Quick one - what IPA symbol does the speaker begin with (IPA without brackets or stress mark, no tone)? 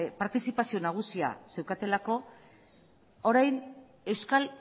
p